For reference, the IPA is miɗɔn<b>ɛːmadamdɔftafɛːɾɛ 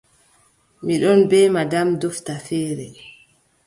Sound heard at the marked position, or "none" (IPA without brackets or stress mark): b